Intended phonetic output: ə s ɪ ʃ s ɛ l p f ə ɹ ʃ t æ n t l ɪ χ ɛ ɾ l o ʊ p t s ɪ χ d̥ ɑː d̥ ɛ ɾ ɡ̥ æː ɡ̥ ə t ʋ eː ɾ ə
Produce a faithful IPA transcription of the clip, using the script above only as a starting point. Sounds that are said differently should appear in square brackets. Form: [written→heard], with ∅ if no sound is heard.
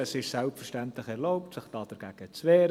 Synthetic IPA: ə s ɪ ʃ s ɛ l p f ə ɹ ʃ t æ n t l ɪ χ ɛ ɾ l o ʊ p t s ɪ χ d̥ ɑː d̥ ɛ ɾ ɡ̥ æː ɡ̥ ə [t→t͡s] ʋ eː ɾ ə